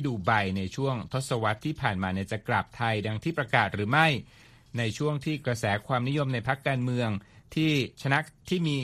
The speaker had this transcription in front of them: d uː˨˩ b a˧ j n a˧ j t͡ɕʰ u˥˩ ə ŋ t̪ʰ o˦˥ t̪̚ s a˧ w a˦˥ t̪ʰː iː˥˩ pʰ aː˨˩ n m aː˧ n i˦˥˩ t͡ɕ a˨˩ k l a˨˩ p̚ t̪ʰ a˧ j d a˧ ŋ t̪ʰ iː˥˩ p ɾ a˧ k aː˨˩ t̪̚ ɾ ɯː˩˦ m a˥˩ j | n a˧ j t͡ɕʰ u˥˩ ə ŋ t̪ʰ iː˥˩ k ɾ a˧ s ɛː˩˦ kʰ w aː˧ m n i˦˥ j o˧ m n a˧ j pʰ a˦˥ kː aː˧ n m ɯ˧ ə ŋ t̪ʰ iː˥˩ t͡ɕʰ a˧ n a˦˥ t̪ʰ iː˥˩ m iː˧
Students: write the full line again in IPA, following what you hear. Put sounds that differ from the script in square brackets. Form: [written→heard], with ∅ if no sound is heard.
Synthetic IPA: d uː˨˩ b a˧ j n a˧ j t͡ɕʰ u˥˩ ə ŋ t̪ʰ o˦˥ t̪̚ s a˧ w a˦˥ t̪ʰː iː˥˩ pʰ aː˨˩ n m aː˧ n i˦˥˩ t͡ɕ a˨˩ k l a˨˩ p̚ t̪ʰ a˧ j d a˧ ŋ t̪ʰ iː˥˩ p ɾ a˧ k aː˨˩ t̪̚ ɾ ɯː˩˦ m a˥˩ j | n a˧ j t͡ɕʰ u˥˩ ə ŋ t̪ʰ iː˥˩ k ɾ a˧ s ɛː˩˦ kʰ w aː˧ m n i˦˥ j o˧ m n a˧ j pʰ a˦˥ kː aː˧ n m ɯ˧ ə ŋ t̪ʰ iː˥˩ t͡ɕʰ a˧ n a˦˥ t̪ʰ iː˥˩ m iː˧